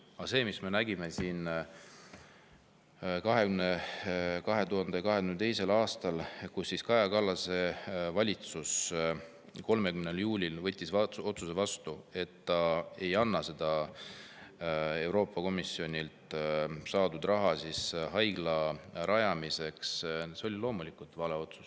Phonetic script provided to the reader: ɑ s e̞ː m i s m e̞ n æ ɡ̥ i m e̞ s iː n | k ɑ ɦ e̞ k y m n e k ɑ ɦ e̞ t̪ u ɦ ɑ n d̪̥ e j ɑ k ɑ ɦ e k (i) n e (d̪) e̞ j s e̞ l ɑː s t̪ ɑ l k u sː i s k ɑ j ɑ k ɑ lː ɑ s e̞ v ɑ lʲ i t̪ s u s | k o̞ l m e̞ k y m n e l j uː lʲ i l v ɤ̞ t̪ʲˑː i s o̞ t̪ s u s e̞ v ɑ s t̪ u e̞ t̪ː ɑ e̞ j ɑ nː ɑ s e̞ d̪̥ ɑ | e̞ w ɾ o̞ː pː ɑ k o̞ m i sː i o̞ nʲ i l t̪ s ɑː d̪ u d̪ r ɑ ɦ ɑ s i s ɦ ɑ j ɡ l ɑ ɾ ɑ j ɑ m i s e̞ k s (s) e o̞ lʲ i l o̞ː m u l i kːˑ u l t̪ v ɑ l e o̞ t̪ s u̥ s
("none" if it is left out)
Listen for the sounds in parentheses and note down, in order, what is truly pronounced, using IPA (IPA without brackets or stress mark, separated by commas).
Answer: y, t̪, s